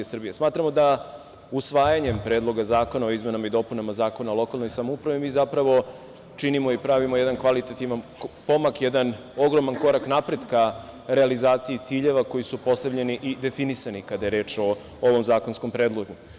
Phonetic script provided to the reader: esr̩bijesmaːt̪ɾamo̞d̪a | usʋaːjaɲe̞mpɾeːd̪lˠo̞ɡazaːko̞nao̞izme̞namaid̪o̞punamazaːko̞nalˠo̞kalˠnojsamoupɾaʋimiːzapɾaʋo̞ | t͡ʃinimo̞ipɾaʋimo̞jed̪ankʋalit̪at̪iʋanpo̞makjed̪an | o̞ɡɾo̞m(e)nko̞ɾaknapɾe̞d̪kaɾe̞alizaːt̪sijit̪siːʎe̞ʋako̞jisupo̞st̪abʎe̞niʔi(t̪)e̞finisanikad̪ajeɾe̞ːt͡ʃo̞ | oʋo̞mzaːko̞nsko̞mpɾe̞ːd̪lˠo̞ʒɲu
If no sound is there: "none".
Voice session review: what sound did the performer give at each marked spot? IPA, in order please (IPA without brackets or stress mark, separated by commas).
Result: a, d̪